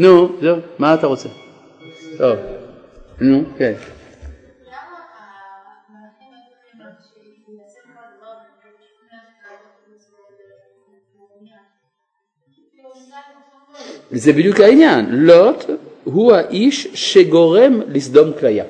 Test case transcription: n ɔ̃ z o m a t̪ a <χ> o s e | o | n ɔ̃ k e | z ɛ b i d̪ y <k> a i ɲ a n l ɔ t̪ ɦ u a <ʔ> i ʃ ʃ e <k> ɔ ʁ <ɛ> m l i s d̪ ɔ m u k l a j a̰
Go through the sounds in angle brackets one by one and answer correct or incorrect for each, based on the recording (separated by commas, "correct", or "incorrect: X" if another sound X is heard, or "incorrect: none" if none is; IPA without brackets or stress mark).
incorrect: ʁ, correct, correct, incorrect: ɡ, correct